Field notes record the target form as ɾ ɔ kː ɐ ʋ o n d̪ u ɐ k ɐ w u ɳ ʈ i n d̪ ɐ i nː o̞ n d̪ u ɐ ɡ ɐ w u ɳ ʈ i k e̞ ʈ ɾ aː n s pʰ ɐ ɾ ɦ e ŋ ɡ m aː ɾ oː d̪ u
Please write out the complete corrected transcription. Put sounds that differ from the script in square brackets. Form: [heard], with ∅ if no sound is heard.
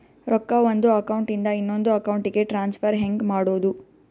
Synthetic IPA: ɾ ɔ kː ɐ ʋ o n d̪ u ɐ k ɐ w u ɳ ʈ i n d̪ ɐ i nː o̞ n d̪ u ɐ [k] ɐ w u ɳ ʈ i [ɡ] e̞ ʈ ɾ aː n s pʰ ɐ ɾ ɦ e ŋ ɡ m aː [ɽ] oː d̪ u